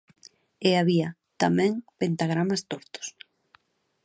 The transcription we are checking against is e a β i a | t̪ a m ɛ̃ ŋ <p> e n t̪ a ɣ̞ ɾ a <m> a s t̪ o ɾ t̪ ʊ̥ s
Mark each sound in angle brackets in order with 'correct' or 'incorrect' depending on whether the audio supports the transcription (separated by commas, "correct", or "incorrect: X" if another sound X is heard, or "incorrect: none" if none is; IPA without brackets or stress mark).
correct, correct